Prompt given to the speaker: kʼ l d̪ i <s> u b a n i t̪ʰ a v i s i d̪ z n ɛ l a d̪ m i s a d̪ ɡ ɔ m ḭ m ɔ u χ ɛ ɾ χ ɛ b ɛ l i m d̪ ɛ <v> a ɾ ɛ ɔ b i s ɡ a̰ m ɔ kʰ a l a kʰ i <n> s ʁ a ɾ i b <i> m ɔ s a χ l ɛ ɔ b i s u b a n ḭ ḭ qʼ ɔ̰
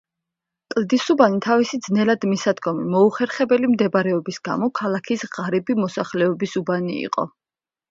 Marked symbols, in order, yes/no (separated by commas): yes, no, no, yes